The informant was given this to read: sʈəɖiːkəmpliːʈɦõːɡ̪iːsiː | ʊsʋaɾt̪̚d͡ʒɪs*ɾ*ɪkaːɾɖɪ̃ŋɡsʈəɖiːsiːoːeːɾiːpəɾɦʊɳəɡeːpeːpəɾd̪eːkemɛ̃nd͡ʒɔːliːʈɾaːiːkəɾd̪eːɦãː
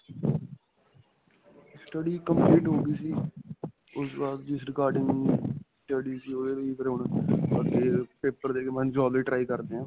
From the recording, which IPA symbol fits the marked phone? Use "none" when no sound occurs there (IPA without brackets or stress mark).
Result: ɾ